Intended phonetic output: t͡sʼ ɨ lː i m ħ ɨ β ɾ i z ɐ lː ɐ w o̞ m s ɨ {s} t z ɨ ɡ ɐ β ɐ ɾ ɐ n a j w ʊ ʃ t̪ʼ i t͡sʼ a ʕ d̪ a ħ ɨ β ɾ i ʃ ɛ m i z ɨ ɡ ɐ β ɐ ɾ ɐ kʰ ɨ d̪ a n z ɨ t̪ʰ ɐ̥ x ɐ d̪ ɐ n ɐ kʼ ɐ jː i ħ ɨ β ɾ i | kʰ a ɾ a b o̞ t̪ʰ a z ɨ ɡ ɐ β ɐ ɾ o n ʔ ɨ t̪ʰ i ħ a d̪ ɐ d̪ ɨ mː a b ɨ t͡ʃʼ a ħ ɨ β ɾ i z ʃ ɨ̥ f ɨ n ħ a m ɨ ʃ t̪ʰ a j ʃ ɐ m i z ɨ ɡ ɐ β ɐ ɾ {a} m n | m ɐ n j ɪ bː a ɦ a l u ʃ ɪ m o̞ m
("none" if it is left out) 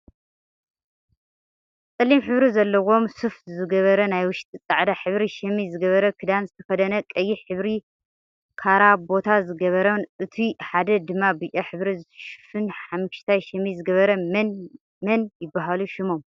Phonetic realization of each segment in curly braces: f, ɐ

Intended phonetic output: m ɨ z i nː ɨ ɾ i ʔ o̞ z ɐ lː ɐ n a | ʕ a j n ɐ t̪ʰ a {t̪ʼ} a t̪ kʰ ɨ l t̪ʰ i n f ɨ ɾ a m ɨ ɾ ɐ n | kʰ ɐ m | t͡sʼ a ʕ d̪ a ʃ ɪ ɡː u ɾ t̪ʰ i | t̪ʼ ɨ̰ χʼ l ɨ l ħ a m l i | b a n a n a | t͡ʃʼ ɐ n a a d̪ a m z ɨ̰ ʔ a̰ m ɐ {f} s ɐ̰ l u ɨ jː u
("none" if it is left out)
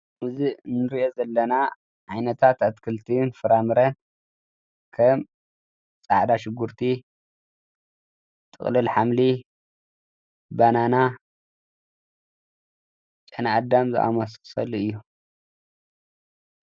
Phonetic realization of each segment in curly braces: t̪, s

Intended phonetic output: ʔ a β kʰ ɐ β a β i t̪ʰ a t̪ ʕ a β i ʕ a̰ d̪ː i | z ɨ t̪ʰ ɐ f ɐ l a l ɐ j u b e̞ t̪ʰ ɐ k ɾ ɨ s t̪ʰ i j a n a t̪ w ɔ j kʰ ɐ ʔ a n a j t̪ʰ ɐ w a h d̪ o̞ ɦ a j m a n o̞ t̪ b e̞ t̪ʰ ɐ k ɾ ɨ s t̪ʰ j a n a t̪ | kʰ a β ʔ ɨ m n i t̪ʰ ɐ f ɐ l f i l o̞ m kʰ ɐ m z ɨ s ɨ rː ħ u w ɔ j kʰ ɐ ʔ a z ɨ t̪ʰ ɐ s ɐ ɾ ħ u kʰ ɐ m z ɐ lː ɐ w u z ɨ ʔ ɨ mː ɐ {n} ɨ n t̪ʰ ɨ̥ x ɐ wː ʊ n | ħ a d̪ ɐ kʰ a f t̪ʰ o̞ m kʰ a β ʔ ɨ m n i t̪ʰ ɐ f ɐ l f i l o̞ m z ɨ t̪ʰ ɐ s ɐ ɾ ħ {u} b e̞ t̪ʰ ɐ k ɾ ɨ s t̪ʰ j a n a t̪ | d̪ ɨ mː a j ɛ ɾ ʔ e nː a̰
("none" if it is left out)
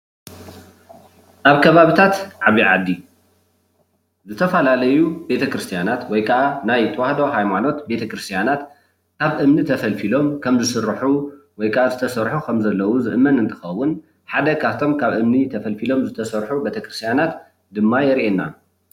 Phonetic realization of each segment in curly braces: n, u

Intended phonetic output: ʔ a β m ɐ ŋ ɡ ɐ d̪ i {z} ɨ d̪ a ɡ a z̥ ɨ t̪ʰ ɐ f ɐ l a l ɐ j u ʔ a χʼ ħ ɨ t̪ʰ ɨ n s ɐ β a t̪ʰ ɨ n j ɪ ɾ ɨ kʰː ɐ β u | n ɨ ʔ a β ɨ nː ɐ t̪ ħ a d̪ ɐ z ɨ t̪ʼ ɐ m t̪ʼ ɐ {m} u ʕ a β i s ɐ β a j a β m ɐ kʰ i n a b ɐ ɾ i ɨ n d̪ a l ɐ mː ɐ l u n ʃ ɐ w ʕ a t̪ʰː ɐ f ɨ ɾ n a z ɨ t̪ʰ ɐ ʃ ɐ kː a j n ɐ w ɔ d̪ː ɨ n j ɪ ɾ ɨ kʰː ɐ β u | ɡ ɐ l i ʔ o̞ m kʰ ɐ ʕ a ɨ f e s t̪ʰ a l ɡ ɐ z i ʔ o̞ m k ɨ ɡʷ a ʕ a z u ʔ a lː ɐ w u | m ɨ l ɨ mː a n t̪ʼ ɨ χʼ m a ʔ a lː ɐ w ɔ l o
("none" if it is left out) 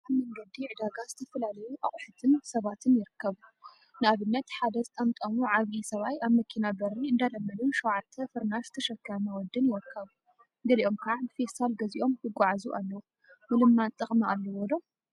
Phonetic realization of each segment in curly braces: ʕ, m

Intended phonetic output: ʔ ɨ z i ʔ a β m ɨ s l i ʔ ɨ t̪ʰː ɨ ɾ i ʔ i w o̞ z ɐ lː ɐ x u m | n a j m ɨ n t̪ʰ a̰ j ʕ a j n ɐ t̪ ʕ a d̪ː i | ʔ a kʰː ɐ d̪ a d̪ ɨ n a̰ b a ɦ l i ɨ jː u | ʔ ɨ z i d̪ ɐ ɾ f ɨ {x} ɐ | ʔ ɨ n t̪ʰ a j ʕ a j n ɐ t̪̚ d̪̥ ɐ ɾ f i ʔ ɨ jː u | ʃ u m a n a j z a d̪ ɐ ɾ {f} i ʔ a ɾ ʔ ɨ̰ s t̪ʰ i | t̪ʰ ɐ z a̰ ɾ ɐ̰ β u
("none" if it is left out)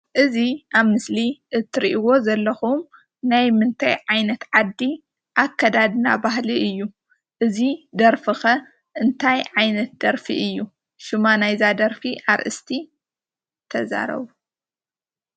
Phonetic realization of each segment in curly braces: x, f

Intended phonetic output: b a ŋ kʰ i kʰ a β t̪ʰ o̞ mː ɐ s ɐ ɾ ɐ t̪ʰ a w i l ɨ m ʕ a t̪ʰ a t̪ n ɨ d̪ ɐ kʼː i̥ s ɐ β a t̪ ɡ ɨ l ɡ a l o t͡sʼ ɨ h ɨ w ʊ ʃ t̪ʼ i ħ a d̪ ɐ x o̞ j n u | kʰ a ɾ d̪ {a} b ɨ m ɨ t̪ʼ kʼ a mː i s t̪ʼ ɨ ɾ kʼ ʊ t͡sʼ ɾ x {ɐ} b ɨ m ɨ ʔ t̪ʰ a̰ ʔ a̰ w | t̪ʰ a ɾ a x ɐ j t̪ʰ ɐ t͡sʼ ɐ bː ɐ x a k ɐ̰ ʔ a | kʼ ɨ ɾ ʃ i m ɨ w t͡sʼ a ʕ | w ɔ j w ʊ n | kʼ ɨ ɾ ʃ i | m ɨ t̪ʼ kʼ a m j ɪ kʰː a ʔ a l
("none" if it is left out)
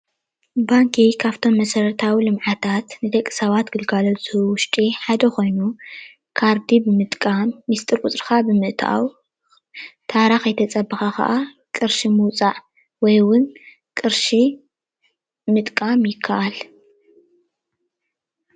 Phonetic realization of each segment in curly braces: i, a

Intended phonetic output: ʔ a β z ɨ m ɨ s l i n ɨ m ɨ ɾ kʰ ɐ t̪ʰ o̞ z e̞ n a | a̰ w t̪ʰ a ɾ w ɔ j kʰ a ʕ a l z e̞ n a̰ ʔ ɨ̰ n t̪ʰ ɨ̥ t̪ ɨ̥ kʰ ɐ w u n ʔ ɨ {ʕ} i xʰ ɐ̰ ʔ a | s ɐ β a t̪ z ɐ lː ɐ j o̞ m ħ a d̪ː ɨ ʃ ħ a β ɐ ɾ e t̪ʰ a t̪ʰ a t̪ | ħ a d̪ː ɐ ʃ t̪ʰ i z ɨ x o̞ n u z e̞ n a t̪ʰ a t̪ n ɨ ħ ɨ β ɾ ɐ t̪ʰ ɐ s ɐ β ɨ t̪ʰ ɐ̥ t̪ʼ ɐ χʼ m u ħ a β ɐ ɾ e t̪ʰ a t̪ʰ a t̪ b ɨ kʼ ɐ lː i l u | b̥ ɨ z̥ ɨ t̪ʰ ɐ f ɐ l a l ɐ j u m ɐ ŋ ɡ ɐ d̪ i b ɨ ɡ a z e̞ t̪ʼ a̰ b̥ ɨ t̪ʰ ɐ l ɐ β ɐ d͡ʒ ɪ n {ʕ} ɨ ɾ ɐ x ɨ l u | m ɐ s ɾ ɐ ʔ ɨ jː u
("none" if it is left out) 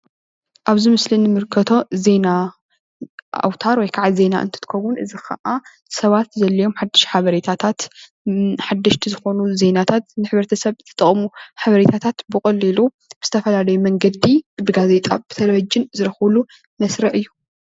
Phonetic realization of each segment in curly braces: z, z

